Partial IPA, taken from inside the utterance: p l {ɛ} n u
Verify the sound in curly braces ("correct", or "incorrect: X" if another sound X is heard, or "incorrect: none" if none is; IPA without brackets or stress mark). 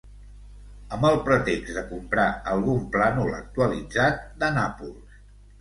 incorrect: a